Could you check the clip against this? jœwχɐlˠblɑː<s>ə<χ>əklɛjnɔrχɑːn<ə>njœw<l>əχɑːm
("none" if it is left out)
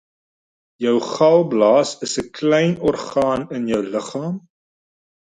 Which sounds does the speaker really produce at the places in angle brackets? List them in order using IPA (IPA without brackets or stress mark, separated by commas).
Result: s, s, ə, l